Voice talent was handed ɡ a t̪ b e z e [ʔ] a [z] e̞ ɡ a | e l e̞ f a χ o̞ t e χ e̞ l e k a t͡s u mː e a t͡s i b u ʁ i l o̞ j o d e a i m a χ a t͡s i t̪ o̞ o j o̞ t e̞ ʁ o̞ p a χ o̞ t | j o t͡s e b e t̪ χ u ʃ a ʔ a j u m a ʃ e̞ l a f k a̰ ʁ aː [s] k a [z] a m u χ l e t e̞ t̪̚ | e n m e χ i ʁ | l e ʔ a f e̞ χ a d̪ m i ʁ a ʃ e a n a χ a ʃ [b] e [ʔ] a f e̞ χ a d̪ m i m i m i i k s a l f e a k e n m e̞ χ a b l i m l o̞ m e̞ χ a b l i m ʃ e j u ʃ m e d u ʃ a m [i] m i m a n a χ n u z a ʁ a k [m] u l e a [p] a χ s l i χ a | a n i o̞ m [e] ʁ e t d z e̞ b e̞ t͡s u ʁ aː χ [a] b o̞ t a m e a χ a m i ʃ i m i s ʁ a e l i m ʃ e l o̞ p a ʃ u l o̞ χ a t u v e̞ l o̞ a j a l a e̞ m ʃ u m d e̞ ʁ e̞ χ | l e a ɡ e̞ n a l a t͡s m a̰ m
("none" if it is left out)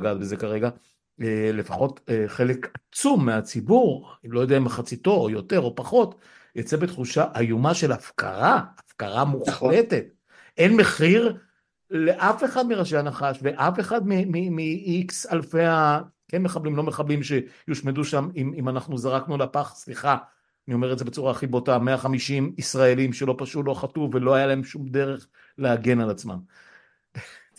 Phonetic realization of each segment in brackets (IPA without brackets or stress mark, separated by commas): k, ʁ, f, ʁ, v, ʔ, i, n, p, e, i